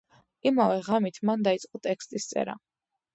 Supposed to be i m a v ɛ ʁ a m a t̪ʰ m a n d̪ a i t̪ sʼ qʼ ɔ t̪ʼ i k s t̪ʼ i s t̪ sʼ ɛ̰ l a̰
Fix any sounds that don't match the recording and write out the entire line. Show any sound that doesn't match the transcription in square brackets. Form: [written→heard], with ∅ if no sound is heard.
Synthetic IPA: i m a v ɛ ʁ a m [a→i] t̪ʰ m a n d̪ a i t̪ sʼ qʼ ɔ t̪ʼ [i→ɛ] k s t̪ʼ i s t̪ sʼ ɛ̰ [l→ɾ] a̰